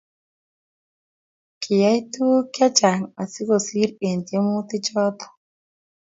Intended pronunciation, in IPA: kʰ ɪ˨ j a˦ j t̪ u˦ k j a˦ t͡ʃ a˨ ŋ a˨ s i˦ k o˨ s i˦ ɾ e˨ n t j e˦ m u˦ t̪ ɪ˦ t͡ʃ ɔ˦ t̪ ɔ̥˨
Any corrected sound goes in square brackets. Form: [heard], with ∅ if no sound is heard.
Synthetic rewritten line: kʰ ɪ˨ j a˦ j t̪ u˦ k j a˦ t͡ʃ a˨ ŋ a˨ s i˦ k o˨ s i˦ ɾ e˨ n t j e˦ m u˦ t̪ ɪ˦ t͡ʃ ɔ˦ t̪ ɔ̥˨